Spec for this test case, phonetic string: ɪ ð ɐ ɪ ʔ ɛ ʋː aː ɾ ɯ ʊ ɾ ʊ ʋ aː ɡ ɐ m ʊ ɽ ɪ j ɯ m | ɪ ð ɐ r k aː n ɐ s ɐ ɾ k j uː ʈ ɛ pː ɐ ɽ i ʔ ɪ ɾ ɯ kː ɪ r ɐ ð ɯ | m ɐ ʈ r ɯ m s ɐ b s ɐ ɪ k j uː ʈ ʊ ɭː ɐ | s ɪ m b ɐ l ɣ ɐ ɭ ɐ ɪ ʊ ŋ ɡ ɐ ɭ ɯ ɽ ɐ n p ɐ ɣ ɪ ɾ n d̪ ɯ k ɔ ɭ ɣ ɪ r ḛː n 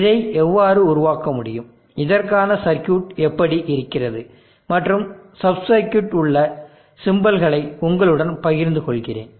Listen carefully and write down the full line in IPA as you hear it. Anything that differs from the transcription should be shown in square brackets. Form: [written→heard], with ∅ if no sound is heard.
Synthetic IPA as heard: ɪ ð ɐ ɪ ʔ ɛ ʋː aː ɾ ɯ ʊ ɾ ʊ ʋ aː [ɡ→k] ɐ m ʊ ɽ ɪ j ɯ m | ɪ ð ɐ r k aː n ɐ s ɐ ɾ k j uː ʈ ɛ pː ɐ ɽ i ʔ ɪ ɾ ɯ kː ɪ r ɐ ð ɯ | m ɐ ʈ r ɯ m s ɐ b s ɐ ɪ k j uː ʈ ʊ ɭː ɐ | s ɪ m b ɐ l ɣ ɐ ɭ ɐ ɪ ʊ ŋ ɡ ɐ ɭ ɯ ɽ ɐ n p ɐ ɣ ɪ ɾ n d̪ ɯ k ɔ ɭ ɣ ɪ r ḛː n

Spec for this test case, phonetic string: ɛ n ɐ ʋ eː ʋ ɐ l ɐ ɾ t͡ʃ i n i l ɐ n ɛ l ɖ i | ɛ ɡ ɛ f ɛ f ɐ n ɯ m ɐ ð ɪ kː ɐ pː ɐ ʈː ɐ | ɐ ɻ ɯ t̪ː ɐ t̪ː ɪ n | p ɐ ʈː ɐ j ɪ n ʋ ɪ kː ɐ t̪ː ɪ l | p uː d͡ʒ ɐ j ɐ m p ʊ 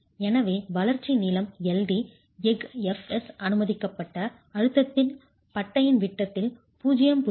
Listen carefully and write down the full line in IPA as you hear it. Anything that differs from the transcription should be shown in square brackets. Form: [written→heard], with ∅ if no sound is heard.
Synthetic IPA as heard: ɛ n ɐ ʋ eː ʋ ɐ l ɐ ɾ t͡ʃ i n [i→iː] l ɐ [n→m] ɛ l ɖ i | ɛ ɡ ɛ f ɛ [f→s] ɐ n ɯ m ɐ ð ɪ kː ɐ pː ɐ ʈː ɐ | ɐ ɻ ɯ t̪ː ɐ t̪ː ɪ n | p ɐ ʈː ɐ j ɪ n ʋ ɪ [kː→ʈː] ɐ t̪ː ɪ l | p uː d͡ʒ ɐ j ɐ m p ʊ

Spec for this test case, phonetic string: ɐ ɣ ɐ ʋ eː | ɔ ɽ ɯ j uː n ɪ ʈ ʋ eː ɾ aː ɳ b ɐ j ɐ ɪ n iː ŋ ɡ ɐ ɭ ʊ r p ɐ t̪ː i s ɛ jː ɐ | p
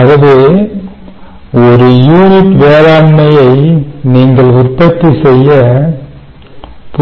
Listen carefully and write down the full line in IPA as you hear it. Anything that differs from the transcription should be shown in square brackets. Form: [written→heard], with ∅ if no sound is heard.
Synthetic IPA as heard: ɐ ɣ ɐ ʋ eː | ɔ [ɽ→ɾ] ɯ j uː n ɪ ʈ ʋ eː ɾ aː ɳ [b→m] ɐ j ɐ ɪ n iː ŋ ɡ ɐ ɭ ʊ r p ɐ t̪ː i s ɛ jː ɐ | p

